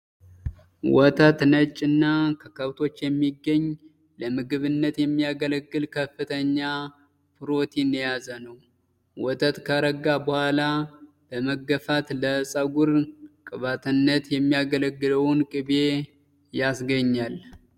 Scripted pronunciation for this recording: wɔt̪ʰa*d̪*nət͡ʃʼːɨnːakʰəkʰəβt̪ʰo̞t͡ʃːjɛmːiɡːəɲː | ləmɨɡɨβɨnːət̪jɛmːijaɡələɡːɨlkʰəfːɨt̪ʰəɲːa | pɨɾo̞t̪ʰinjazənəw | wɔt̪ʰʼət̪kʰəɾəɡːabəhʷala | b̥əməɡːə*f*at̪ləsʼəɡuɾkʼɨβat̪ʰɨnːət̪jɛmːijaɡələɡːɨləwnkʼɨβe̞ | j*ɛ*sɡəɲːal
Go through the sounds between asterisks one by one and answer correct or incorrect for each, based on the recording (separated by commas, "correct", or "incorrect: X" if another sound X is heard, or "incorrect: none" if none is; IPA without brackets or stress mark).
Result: incorrect: t̪, correct, incorrect: a